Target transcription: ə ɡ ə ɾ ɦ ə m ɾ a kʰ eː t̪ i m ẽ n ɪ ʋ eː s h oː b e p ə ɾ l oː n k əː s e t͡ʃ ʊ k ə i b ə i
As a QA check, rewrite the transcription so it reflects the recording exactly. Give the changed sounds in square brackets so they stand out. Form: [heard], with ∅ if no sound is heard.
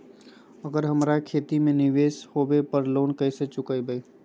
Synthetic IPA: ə ɡ ə ɾ ɦ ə m ɾ a kʰ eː t̪ i m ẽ n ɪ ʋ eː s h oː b e p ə ɾ l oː n k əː s e t͡ʃ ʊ k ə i b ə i